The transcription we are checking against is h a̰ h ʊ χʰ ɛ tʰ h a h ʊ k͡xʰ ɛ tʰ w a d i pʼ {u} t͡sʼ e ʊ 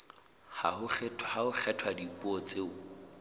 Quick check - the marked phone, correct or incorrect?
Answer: incorrect